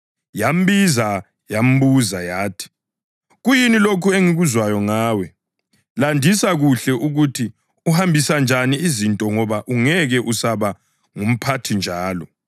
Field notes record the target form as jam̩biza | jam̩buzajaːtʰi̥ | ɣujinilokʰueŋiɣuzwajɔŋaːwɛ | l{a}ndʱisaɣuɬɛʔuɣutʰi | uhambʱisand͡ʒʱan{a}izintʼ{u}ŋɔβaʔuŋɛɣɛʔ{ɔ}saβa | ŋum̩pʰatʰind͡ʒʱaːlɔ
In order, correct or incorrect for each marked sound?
correct, incorrect: i, incorrect: ɔ, incorrect: u

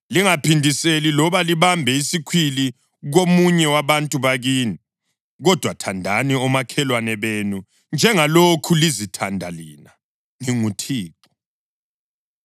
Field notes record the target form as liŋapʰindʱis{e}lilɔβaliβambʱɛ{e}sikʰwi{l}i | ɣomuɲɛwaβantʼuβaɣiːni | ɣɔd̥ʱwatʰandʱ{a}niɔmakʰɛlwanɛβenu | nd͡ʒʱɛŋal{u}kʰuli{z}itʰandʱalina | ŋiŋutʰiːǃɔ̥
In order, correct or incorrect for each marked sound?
correct, incorrect: i, correct, correct, incorrect: o, correct

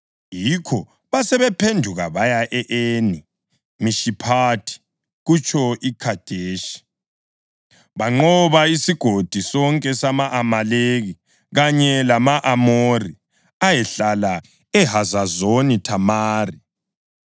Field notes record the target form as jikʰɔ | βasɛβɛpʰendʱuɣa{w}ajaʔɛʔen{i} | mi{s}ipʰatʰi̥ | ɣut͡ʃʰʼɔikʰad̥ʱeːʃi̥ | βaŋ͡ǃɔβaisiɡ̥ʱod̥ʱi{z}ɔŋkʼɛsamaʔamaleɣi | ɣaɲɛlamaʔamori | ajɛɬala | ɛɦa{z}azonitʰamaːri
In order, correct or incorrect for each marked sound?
incorrect: β, correct, incorrect: ʃ, incorrect: s, correct

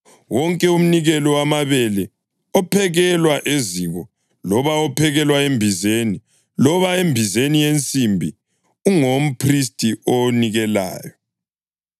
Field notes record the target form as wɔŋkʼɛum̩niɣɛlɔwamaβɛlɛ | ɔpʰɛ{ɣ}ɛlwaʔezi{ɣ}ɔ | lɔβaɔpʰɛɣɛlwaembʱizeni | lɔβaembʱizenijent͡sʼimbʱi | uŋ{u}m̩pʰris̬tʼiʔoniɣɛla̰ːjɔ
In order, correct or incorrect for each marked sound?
correct, correct, incorrect: o

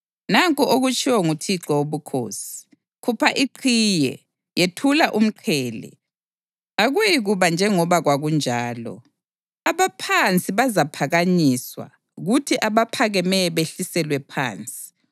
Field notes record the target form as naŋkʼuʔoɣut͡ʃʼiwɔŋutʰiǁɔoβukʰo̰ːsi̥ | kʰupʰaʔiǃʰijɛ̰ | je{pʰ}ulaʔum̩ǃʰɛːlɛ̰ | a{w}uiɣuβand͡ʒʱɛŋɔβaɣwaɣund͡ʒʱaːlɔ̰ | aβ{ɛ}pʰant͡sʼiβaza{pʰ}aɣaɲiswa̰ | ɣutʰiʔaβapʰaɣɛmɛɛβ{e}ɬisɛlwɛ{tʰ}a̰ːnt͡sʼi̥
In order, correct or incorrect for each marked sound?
incorrect: tʰ, incorrect: ɣ, incorrect: a, correct, correct, incorrect: pʰ

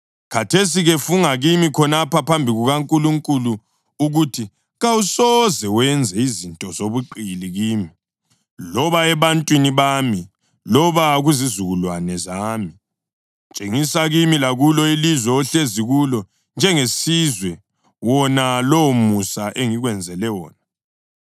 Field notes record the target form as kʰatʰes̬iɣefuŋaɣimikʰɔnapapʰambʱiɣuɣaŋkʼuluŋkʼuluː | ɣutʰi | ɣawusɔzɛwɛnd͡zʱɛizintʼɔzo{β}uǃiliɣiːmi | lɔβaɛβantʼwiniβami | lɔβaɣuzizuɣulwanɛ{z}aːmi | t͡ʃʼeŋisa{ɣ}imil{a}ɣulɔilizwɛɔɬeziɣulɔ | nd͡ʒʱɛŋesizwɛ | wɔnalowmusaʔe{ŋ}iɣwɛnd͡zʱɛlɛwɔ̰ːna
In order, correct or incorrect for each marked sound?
correct, correct, correct, correct, correct

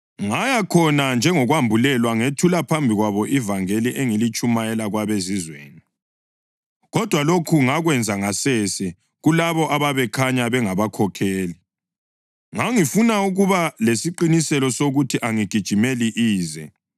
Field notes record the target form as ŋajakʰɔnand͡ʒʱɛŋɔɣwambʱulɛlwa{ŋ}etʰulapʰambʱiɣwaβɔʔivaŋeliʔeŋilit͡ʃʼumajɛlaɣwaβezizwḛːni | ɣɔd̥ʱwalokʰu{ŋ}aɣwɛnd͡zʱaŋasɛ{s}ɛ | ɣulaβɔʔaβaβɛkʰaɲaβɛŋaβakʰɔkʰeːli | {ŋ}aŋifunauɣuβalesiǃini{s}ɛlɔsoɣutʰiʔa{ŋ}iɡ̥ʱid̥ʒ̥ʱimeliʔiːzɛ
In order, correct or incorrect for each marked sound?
correct, correct, correct, correct, correct, correct

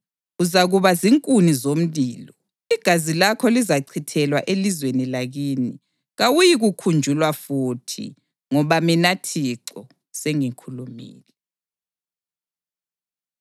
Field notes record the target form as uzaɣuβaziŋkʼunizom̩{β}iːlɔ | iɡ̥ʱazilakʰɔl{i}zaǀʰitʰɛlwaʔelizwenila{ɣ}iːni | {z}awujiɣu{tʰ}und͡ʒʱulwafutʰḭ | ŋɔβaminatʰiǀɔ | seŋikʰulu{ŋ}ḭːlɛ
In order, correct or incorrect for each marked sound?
correct, correct, correct, incorrect: ɣ, incorrect: kʰ, incorrect: m

